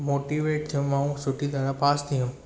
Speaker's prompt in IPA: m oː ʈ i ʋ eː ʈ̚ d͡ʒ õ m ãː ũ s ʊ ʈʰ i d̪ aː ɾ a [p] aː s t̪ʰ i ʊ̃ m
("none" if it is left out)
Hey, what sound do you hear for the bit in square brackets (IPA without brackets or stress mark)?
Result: p